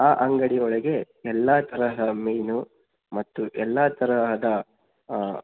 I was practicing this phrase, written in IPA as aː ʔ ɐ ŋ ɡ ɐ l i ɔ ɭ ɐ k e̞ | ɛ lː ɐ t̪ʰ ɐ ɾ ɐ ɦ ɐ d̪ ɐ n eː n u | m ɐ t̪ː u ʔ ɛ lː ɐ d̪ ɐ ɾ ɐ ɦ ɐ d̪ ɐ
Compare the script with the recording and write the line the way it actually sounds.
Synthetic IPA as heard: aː ʔ ɐ ŋ ɡ ɐ ɽ i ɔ ɭ ɐ ɡ e̞ | ɛ lː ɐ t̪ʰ ɐ ɾ ɐ ɦ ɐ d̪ ɐ m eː n u | m ɐ t̪ː u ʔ ɛ lː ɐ t̪ ɐ ɾ ɐ ɦ ɐ d̪ ɐ